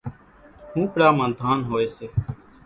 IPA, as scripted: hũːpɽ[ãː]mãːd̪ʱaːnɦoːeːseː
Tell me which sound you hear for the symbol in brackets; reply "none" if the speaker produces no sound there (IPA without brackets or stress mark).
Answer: aː